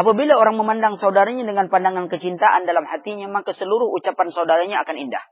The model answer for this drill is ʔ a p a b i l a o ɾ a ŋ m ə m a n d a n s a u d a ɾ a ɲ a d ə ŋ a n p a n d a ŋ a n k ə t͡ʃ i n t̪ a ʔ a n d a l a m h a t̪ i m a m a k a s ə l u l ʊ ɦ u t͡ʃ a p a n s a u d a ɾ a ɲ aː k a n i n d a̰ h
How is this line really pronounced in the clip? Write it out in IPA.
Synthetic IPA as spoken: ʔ a p a b i l a o ɾ a ŋ m ə m a n d a ŋ s a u d a ɾ a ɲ a d ə ŋ a n p a n d a ŋ a n k ə t͡ʃ i n t̪ a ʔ a n d a l a m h a t̪ i ɲ a m a k a s ə l u ɾ ʊ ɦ u t͡ʃ a p a n s a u d a ɾ a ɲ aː k a n i n d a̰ h